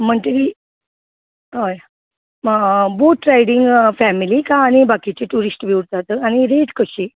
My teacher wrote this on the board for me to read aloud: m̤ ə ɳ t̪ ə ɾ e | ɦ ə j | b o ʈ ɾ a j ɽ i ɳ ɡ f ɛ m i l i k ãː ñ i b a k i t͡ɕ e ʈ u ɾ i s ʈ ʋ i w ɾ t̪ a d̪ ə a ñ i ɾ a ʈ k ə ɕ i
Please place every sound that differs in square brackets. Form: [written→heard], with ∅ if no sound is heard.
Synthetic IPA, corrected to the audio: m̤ ə ɳ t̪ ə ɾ [e→i] | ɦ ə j | b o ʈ ɾ a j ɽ i [ɳ→ŋ] ɡ f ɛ m i l i k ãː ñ i b a k i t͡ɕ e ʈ u ɾ i s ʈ ʋ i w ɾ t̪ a [d̪→t̪] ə a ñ i ɾ [a→e] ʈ k ə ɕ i

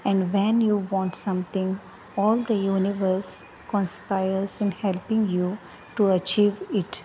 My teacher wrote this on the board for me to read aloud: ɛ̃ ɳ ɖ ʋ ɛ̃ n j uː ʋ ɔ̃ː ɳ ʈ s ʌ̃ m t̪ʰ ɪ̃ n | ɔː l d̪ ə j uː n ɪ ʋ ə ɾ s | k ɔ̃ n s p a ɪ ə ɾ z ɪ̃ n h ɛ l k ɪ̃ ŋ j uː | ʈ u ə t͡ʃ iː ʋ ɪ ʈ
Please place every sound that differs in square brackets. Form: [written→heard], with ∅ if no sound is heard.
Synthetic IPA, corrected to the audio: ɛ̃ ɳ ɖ ʋ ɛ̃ n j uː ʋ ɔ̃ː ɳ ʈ s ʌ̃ m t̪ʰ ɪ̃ [n→ŋ] | ɔː l d̪ ə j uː n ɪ ʋ ə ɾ s | k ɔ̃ n s p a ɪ ə ɾ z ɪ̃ n h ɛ l [k→p] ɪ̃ ŋ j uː | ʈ u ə t͡ʃ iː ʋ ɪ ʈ

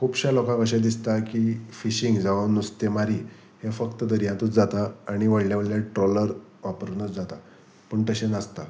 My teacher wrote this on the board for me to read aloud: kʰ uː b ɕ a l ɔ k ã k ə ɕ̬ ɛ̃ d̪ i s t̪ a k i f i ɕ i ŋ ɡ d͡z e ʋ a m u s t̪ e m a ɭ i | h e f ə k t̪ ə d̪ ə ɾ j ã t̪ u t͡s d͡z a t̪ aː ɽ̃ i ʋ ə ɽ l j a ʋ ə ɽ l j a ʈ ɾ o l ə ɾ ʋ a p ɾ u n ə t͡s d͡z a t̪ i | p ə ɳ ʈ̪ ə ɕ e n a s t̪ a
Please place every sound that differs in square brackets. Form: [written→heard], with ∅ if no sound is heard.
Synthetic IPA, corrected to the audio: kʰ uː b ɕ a l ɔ k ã k ə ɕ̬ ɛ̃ d̪ i s t̪ a k i f i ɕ i ŋ ɡ d͡z [e→a] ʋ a [m→n] u s t̪ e m a [ɭ→ɾ] i | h e f ə k t̪ ə d̪ ə ɾ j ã t̪ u t͡s d͡z a t̪ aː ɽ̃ i ʋ ə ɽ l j a ʋ ə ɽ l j a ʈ ɾ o l ə ɾ ʋ a p ɾ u n ə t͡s d͡z a t̪ [i→a] | p ə ɳ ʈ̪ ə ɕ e n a s t̪ a

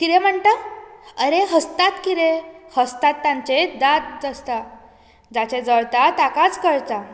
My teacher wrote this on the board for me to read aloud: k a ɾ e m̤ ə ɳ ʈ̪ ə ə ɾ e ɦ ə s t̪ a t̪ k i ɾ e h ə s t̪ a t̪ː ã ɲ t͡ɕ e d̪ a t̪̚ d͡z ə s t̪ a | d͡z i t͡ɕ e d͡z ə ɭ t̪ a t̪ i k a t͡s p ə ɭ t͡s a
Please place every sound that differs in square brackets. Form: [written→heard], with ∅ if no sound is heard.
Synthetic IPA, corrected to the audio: k [a→i] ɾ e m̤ ə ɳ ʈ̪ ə ə ɾ e ɦ ə s t̪ a t̪ k i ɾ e h ə s t̪ a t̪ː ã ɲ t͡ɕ e d̪ a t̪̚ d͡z ə s t̪ a | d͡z [i→a] t͡ɕ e d͡z ə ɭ t̪ a t̪ [i→a] k a t͡s [p→k] ə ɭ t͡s a

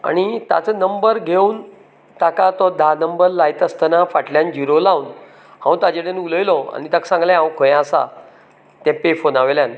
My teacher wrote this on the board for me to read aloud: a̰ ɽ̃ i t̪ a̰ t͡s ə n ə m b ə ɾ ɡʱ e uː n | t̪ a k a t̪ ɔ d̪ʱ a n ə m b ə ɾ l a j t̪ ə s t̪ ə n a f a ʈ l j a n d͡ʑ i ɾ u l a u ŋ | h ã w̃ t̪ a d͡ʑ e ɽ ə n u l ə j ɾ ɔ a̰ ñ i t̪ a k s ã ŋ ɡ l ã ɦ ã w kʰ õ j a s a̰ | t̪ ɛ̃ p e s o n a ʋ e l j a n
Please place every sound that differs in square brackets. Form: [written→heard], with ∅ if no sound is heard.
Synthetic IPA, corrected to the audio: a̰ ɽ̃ i t̪ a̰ t͡s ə n ə m b ə ɾ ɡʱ e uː n | t̪ a k a t̪ ɔ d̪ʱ a n ə m b ə ɾ l a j t̪ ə s t̪ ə n a f a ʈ l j a n d͡ʑ i ɾ [u→o] l a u [ŋ→n] | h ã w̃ t̪ a d͡ʑ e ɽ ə n u l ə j [ɾ→l] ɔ a̰ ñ i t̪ a k s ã ŋ ɡ l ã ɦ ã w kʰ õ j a s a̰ | t̪ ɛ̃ p e [s→f] o n a ʋ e l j a n

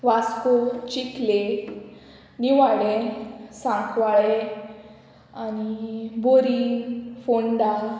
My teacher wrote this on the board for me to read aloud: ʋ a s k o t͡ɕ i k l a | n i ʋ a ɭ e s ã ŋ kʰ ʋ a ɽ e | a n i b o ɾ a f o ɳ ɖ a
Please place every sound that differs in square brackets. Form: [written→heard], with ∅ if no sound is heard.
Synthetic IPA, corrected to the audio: ʋ a s k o t͡ɕ i k l [a→e] | n i ʋ a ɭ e s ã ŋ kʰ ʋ a [ɽ→ɭ] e | a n i b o ɾ [a→i] f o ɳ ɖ a

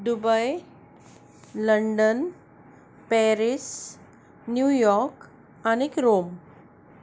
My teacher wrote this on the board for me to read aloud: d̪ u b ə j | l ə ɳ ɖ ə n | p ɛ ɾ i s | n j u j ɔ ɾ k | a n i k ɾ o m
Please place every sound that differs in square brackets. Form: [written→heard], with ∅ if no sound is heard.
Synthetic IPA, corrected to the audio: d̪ u b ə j | l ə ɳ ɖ ə n | p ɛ ɾ i s | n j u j ɔ ɾ k | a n i k ɾ o m

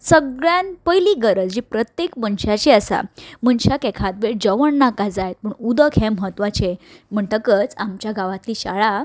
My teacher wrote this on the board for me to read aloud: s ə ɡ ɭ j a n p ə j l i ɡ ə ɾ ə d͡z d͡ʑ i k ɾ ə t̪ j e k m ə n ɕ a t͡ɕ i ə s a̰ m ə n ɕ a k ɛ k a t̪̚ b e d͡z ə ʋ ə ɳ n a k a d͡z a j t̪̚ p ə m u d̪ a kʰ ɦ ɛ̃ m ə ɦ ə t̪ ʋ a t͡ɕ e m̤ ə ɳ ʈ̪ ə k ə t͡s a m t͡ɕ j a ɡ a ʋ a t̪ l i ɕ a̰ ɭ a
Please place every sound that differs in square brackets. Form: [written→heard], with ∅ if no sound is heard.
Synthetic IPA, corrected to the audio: s ə ɡ ɭ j a n p ə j l i ɡ ə ɾ ə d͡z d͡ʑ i [k→p] ɾ ə t̪ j e k m ə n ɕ a t͡ɕ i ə s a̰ m ə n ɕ a k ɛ [k→kʰ] a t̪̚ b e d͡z ə ʋ ə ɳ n a k a d͡z a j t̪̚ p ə [m→ɳ] u d̪ [a→ə] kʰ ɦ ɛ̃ m ə ɦ ə t̪ ʋ a t͡ɕ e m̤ ə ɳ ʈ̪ ə k ə t͡s a m t͡ɕ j a ɡ a ʋ a t̪ l i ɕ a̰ ɭ a

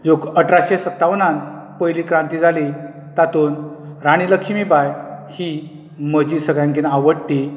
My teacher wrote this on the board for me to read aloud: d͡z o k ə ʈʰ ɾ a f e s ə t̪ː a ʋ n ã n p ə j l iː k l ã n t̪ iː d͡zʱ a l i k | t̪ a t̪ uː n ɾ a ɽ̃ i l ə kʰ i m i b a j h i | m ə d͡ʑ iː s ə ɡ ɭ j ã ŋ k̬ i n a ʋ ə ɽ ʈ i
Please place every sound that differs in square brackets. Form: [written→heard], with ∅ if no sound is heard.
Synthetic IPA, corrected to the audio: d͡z o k ə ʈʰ ɾ a [f→ɕ] e s ə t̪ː a ʋ n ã n p ə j l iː k [l→ɾ] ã n t̪ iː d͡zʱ a l i [k→∅] | t̪ a t̪ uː n ɾ a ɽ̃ i l ə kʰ i m i b a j h i | m ə d͡ʑ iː s ə ɡ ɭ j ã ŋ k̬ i n a ʋ ə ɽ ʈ i

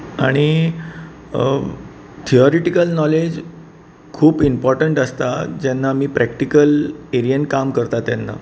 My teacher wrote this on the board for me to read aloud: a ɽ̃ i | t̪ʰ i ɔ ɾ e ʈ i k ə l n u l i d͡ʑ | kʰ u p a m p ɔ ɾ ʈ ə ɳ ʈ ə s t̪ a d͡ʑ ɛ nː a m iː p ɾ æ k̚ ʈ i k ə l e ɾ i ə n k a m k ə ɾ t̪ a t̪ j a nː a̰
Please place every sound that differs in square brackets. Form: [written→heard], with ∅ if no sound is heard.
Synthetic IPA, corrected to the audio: a ɽ̃ i | t̪ʰ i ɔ ɾ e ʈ i k ə l n [u→ɔ] l [i→e] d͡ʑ | kʰ [u→uː] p [a→i] m p ɔ ɾ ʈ ə ɳ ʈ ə s t̪ a d͡ʑ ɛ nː a m iː p ɾ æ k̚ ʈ i k ə l e ɾ i ə n k a m k ə ɾ t̪ a t̪ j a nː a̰

